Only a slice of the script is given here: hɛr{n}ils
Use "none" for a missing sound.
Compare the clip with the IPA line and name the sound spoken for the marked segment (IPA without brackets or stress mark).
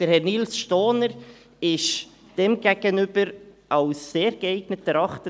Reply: n